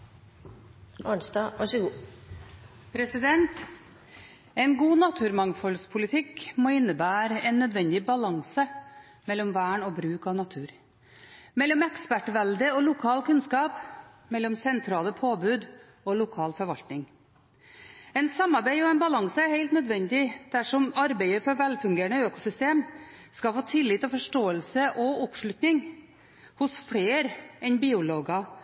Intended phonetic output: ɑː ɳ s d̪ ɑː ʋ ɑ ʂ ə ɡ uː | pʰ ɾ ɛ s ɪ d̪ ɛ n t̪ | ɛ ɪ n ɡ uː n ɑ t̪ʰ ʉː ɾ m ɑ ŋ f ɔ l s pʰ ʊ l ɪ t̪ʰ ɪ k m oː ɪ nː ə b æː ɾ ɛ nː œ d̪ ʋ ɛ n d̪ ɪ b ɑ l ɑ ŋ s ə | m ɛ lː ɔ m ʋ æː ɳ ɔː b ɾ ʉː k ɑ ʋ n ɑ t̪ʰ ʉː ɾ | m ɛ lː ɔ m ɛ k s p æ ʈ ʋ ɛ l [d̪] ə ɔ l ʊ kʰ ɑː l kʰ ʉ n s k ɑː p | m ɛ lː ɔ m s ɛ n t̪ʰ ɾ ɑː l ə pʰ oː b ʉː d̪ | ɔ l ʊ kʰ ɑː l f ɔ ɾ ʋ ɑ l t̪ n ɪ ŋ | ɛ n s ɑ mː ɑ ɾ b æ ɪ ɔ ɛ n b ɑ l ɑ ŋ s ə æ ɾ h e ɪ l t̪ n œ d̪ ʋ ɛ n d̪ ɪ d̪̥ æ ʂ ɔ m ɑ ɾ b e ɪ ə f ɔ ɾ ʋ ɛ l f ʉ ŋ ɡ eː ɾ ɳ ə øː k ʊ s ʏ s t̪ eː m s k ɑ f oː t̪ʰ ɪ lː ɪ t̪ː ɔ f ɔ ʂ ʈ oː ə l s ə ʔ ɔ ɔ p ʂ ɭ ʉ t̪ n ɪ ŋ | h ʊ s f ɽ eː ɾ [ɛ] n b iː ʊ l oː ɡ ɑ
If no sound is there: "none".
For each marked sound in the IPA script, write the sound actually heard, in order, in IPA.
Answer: d̪, ɛ

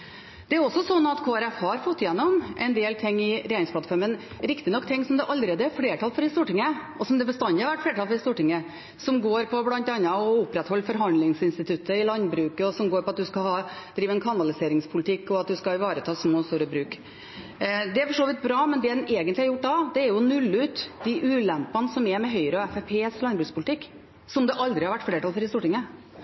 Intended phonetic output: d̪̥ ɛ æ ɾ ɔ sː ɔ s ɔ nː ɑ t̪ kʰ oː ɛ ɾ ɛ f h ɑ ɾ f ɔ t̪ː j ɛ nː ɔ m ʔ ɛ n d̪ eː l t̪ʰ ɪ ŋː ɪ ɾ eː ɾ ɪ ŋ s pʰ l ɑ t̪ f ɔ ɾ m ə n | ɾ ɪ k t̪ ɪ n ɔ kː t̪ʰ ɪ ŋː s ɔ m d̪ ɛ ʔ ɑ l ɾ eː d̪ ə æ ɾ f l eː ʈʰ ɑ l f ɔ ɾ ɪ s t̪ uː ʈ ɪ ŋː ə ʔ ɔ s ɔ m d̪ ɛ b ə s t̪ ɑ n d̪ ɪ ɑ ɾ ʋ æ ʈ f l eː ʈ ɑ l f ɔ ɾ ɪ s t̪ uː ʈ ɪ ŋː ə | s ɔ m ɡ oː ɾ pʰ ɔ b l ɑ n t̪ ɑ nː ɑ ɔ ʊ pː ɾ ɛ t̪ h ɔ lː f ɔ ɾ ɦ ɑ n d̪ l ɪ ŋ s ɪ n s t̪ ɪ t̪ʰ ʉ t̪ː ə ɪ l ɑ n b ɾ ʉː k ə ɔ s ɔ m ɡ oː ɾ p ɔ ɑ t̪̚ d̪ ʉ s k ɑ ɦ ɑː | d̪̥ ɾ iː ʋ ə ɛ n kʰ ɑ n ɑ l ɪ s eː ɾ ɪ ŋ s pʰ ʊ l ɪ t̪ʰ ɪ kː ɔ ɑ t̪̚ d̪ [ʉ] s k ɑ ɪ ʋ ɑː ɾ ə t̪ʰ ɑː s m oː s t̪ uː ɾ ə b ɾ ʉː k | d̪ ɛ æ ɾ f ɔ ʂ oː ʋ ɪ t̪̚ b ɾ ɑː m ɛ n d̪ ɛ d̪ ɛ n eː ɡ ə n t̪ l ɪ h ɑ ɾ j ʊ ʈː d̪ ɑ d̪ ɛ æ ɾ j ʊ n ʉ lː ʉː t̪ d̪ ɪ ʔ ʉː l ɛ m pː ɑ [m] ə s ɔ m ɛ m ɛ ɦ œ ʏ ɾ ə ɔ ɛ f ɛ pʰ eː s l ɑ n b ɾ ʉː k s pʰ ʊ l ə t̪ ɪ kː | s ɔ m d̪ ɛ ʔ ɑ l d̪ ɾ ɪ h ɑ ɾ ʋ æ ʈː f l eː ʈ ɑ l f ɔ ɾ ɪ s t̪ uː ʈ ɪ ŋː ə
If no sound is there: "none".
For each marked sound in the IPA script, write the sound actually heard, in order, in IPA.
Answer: ʉ, n

